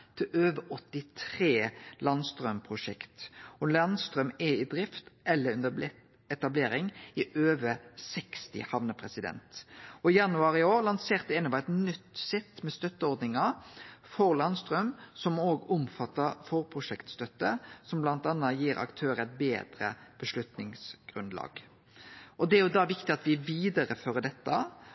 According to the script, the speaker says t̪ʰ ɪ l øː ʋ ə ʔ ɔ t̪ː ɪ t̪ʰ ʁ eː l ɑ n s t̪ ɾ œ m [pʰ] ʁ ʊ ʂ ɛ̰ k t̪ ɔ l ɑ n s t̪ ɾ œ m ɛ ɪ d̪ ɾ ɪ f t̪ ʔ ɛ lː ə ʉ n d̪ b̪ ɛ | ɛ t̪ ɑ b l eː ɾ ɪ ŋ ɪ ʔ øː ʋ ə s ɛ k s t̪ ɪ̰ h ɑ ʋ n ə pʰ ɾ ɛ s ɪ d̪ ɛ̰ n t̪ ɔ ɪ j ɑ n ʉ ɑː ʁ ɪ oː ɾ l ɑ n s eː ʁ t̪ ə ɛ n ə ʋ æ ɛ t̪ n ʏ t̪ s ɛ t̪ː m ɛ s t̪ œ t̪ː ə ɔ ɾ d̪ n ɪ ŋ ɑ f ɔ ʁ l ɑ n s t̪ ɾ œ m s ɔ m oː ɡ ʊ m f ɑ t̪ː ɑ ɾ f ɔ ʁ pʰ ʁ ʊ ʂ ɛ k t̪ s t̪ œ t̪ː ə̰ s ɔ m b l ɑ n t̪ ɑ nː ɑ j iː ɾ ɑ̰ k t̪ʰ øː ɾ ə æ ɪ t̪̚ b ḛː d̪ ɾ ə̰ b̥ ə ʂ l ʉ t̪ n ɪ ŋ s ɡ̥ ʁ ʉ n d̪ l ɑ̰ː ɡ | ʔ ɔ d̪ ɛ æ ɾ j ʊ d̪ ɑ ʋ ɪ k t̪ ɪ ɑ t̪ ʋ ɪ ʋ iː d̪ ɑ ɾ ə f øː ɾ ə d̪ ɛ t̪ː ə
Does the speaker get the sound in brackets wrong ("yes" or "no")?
no